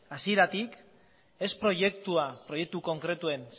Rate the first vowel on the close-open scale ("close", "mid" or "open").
open